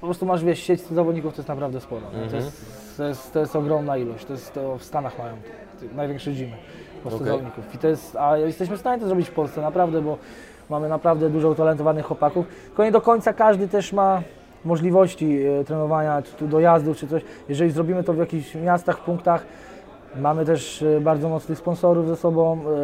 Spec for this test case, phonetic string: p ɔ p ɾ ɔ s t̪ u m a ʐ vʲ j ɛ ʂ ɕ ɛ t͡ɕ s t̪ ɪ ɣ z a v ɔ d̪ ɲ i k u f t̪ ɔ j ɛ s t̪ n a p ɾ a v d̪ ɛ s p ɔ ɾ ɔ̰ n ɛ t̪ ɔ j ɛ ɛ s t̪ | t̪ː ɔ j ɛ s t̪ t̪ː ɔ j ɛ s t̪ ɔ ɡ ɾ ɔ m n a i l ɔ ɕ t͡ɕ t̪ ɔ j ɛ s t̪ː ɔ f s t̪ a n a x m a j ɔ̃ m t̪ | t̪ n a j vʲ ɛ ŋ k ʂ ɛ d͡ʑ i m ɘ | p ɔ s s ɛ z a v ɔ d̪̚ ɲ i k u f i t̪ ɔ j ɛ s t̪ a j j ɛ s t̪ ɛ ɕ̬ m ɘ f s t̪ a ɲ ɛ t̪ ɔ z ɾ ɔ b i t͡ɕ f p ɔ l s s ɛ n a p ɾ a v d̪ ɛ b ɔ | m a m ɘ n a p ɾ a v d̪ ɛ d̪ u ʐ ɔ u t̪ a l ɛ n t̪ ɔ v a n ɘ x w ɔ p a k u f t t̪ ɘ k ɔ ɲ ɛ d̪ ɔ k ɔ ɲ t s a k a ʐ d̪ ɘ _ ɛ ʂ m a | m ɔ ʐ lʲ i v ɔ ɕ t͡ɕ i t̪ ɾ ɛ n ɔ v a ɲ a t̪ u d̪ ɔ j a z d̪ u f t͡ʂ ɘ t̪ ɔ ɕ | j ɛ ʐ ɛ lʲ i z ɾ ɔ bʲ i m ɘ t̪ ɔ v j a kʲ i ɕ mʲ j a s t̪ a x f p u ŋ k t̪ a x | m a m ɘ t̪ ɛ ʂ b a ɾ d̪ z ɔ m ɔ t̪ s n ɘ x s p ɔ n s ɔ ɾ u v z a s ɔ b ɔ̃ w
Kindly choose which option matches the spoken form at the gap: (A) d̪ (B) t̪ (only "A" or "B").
B